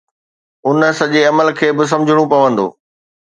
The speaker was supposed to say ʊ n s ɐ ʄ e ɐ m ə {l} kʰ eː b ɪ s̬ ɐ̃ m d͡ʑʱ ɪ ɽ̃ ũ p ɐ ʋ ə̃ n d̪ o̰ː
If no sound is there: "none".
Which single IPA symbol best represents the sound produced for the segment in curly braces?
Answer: l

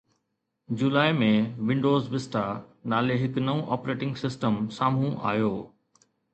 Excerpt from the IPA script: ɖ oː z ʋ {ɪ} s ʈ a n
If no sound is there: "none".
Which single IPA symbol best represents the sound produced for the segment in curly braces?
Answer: ɪ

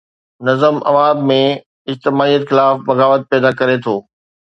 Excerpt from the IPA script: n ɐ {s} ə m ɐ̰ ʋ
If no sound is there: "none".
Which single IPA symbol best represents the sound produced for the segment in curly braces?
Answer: z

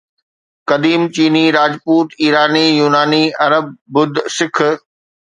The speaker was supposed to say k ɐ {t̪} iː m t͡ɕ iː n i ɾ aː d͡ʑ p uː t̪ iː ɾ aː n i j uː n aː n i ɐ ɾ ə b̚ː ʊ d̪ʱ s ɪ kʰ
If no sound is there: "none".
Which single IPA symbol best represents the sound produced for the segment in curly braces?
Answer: d̪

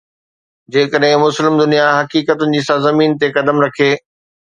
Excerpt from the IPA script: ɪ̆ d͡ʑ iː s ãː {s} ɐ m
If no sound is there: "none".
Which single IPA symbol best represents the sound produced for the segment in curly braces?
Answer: z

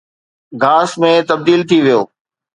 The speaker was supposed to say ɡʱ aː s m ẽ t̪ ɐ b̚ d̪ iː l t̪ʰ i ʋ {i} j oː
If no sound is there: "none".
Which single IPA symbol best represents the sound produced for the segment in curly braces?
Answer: i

